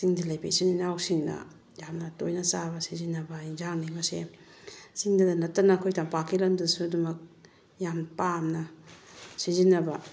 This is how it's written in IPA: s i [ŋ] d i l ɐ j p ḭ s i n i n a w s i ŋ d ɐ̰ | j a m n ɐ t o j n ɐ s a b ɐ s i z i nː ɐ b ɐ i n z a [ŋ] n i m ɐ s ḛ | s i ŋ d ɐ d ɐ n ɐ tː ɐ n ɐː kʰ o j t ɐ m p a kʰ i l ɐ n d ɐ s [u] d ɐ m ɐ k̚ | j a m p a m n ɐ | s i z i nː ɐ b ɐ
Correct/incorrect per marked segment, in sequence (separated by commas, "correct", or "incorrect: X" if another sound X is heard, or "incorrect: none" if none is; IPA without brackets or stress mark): correct, correct, correct